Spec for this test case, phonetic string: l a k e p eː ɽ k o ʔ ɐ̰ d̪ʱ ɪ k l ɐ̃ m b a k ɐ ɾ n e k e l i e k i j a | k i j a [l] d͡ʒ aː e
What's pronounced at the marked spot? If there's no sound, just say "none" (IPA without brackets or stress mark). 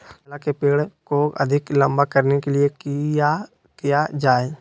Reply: none